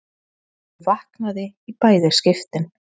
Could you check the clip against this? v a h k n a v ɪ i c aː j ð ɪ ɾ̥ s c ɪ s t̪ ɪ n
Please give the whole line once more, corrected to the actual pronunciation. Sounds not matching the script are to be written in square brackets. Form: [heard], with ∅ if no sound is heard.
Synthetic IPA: v a h k n a [ð] ɪ i [p] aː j ð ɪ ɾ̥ s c ɪ [f] t̪ ɪ n

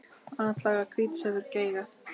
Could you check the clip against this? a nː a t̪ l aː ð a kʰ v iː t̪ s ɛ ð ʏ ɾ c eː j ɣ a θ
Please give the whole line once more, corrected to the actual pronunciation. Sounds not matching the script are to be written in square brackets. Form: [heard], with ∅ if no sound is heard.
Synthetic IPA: a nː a t̪ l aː [ɣ] a kʰ v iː t̪ s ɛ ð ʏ ɾ c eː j ɣ a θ

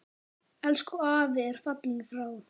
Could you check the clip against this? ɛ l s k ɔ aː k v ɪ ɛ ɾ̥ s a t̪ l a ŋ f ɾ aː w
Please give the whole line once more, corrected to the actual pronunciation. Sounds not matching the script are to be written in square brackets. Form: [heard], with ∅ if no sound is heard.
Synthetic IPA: ɛ l s k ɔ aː [∅] v ɪ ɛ ɾ̥ [f] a t̪ l [i] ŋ f ɾ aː w

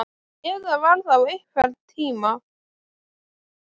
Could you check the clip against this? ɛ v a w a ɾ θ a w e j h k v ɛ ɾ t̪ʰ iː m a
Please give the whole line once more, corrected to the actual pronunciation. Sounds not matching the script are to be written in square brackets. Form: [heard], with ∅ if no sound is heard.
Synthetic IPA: ɛ [ð] a [v] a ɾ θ a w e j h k v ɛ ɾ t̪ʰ iː m a

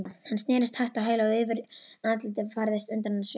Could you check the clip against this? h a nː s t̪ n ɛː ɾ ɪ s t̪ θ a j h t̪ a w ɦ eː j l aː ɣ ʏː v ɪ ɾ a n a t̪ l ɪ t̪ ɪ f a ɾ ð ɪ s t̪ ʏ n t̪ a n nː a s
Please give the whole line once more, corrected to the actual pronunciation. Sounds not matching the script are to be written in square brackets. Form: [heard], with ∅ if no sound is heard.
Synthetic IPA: h a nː s t̪ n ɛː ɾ ɪ s t̪ [h] a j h t̪ a w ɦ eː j l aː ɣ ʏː v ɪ ɾ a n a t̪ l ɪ t̪ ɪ f a ɾ ð ɪ s t̪ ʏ n t̪ a n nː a s

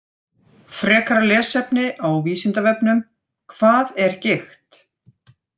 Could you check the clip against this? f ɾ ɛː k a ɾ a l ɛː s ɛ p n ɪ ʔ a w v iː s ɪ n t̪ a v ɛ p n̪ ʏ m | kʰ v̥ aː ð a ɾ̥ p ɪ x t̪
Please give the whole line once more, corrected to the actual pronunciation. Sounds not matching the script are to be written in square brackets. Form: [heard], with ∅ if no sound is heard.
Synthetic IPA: f ɾ ɛː k a ɾ a l ɛː s ɛ p n ɪ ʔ a w v iː s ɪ n t̪ a v ɛ p n̪ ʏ m | kʰ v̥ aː ð [ɛ] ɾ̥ [c] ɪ x t̪

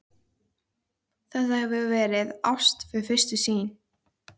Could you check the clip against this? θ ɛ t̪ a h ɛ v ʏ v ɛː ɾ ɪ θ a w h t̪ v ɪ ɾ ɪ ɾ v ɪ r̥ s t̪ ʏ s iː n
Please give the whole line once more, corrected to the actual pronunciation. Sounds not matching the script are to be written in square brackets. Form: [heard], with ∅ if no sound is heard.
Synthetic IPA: θ ɛ t̪ a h ɛ v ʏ v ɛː ɾ ɪ [ð] a w [s] t̪ [f] ɪ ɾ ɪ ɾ [f] ɪ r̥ s t̪ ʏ s iː n

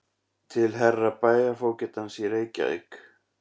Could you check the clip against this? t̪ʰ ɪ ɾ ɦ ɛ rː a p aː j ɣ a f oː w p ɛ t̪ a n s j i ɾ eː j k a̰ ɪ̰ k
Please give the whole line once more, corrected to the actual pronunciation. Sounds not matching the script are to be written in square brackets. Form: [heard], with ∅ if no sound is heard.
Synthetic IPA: t̪ʰ ɪ [l] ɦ ɛ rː a p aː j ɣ a f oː w [c] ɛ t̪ a n s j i ɾ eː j [c] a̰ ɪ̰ k

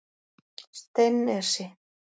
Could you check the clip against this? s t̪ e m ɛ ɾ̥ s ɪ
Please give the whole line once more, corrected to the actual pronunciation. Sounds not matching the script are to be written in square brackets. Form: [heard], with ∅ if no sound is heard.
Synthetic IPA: s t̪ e [n] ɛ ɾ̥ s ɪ

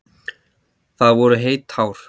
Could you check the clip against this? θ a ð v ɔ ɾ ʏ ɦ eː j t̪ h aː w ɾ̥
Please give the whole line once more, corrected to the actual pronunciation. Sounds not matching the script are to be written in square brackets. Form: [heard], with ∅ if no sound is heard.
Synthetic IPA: θ a ð v ɔ ɾ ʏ ɦ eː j t̪ h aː w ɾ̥

